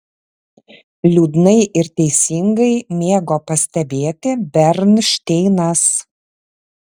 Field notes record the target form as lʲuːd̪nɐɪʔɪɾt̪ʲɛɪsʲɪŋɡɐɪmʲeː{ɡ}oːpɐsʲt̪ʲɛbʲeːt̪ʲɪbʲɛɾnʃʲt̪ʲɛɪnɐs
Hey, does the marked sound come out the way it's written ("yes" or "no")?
yes